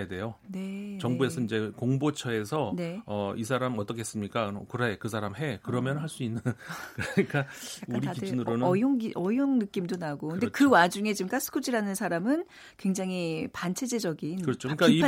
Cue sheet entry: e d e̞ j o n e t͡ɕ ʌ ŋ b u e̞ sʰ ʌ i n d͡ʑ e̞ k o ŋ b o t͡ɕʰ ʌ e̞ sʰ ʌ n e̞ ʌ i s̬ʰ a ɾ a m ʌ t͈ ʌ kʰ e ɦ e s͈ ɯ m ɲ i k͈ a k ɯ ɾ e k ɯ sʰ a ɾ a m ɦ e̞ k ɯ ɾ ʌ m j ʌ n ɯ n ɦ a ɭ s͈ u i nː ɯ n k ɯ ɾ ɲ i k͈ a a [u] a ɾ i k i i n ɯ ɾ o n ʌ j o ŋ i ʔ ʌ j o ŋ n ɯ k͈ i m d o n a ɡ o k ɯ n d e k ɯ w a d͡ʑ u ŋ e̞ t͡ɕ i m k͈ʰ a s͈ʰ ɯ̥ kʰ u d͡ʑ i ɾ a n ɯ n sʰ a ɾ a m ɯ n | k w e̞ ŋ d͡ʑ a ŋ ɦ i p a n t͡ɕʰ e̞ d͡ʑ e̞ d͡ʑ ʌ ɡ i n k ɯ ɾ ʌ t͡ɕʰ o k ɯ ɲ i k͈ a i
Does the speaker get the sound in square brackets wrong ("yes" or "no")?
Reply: no